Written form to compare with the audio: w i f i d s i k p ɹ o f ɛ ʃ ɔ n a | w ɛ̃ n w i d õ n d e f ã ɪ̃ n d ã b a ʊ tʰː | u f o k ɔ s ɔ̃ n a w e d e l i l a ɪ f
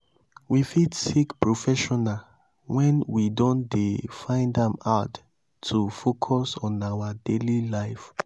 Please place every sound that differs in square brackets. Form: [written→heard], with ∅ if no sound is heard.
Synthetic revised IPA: w i f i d s i k p ɹ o f ɛ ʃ ɔ n a | w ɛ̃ n w i d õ n d e f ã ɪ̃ n d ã [b→m] a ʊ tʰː | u f o [k→kʰ] ɔ s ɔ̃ n a w [e→a] d e l i l a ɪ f